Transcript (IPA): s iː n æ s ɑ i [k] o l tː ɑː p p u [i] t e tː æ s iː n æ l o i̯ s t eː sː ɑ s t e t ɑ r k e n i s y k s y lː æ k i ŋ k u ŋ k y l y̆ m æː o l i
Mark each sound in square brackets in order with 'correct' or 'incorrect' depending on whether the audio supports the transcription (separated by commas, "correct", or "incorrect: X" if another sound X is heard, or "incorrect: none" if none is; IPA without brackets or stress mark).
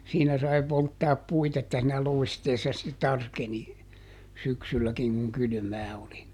incorrect: p, correct